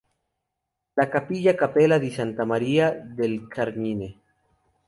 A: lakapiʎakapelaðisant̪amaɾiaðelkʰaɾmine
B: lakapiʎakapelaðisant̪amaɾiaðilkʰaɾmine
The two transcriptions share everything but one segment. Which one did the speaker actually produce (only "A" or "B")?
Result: A